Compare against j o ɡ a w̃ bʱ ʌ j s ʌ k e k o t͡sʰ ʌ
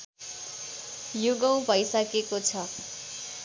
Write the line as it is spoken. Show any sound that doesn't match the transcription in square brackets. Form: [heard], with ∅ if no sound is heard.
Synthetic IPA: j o ɡ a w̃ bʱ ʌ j s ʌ k e k o t͡sʰ ʌ